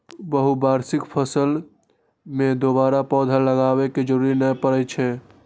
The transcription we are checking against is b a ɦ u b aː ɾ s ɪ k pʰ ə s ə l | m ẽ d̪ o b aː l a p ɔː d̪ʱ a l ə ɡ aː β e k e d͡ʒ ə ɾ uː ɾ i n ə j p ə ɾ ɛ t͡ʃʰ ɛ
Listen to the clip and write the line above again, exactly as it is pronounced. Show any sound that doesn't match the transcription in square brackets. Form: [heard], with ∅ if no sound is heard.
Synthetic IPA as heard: b [ə] ɦ u b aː ɾ s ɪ k pʰ ə s ə l | m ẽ d̪ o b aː [ɾ] a p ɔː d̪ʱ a l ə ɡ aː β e k e d͡ʒ ə ɾ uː ɾ i n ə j p ə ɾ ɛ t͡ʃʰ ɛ